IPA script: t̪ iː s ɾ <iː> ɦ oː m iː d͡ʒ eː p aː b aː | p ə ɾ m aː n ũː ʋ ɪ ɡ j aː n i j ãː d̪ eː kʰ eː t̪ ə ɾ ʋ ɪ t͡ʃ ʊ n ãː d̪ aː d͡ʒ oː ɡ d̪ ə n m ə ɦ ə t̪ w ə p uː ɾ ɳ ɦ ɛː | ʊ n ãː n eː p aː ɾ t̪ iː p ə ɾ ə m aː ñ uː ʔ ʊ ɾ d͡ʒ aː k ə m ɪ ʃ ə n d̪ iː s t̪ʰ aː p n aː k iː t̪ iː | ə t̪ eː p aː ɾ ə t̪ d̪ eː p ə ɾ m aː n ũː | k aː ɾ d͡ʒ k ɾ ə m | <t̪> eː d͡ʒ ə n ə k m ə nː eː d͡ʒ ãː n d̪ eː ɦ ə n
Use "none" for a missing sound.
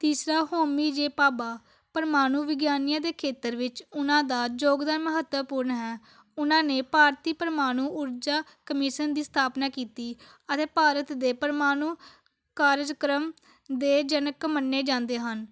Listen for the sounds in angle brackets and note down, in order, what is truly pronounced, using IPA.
aː, d̪

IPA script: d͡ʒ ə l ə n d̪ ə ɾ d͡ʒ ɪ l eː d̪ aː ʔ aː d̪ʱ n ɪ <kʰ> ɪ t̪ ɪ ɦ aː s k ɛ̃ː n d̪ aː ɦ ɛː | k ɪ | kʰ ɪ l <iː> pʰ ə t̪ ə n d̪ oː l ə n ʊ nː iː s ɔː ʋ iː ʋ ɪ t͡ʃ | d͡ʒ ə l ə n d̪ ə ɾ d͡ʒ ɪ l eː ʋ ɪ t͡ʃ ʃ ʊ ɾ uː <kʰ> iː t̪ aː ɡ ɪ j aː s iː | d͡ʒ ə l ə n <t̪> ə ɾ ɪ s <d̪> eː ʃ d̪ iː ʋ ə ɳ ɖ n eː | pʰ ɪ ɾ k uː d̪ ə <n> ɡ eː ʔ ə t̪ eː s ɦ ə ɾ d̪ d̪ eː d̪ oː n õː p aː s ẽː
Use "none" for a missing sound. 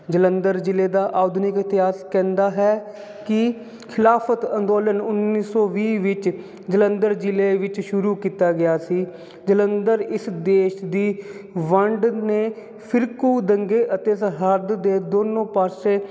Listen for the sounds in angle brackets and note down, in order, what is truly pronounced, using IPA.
k, aː, k, d̪, d̪, ŋ

